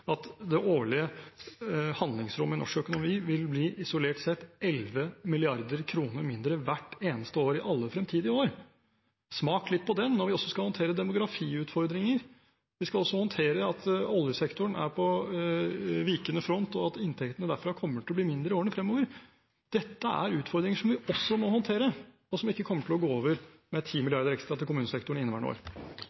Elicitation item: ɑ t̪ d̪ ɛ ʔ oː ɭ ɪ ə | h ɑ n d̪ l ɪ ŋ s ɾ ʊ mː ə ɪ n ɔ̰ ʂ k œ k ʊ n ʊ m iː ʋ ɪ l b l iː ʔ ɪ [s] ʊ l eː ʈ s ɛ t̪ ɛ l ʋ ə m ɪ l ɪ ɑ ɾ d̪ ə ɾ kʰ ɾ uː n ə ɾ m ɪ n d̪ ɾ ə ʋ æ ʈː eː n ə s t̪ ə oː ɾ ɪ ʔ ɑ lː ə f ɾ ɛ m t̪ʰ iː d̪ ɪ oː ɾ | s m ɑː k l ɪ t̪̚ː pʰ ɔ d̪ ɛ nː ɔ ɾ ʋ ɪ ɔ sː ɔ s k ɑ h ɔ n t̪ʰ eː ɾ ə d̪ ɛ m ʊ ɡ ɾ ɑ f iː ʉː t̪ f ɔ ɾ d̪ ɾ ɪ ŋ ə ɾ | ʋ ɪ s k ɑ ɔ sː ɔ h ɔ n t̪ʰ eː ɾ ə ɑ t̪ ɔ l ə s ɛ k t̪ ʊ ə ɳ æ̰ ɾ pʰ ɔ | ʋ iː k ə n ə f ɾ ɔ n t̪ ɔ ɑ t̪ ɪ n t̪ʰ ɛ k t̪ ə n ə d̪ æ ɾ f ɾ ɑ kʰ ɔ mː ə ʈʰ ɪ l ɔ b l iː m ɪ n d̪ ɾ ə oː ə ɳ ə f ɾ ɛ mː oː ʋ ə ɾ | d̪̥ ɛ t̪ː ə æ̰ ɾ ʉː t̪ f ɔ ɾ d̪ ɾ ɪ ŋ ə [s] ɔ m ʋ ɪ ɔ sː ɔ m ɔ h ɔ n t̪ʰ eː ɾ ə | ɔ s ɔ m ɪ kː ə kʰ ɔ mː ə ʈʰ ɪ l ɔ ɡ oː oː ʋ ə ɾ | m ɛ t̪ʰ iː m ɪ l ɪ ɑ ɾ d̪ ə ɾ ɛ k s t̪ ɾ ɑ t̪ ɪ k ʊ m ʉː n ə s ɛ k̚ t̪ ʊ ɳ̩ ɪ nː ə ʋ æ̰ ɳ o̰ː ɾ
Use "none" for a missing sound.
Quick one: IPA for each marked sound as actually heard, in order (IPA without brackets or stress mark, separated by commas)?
s, ʂ